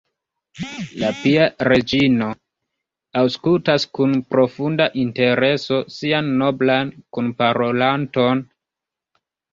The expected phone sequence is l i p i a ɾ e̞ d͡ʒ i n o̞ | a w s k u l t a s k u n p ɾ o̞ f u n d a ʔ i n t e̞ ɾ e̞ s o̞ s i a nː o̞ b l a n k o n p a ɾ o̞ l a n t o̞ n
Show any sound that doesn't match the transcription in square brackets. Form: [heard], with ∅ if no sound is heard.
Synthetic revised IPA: l [a] p i a ɾ e̞ d͡ʒ i n o̞ | a w s k u l t a s k u n p ɾ o̞ f u n d a ʔ i n t e̞ ɾ e̞ s o̞ s i a nː o̞ b l a n k [u] n p a ɾ o̞ l a n t o̞ n